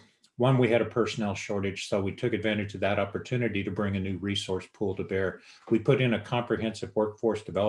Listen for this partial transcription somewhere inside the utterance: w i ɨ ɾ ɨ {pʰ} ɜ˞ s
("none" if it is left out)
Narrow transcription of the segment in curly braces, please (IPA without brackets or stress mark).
pʰ